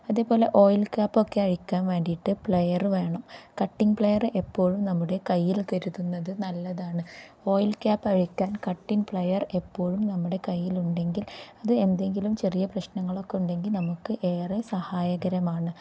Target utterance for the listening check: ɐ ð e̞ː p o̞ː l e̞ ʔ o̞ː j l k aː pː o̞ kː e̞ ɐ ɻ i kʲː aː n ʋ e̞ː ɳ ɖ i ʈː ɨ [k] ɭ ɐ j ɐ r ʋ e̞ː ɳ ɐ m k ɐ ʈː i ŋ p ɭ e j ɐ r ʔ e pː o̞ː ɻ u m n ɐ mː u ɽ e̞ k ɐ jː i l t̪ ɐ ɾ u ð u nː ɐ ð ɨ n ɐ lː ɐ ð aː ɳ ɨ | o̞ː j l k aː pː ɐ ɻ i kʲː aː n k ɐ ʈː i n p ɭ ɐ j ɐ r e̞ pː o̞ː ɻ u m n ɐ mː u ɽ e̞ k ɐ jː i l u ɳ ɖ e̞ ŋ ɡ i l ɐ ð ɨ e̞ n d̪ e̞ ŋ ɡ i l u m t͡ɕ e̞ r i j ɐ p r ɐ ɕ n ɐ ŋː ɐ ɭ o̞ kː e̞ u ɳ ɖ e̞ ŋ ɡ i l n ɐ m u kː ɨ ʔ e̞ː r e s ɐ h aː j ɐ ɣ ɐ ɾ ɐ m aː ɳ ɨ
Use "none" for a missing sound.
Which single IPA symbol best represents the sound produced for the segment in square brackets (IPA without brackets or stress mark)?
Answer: p